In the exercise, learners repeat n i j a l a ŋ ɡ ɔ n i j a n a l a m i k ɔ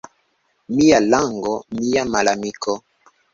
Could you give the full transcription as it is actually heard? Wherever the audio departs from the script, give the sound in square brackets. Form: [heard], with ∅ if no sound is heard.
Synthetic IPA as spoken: [m] i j a l a ŋ ɡ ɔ [m] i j a [m] a l a m i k ɔ